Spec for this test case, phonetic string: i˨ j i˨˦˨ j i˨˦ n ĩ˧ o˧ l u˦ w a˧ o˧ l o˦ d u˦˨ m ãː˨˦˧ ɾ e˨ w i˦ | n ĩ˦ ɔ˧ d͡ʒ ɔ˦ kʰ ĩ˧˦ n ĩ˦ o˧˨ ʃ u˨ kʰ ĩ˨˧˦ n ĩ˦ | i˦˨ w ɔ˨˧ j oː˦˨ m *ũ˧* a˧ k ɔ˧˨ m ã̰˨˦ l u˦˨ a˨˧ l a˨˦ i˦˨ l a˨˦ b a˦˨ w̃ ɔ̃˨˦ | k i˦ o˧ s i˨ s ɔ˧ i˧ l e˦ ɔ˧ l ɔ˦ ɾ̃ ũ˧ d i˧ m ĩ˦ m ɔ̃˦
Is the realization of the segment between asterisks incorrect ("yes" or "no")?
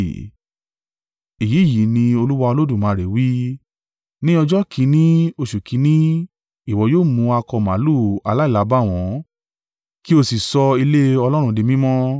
no